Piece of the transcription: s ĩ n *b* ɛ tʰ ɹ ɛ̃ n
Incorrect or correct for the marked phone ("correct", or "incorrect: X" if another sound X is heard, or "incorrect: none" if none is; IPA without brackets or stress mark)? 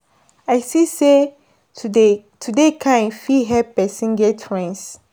incorrect: ɡ